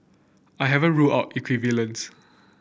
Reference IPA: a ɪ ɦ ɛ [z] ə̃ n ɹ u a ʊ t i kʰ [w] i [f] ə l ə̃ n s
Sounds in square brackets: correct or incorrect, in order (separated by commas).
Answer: incorrect, correct, incorrect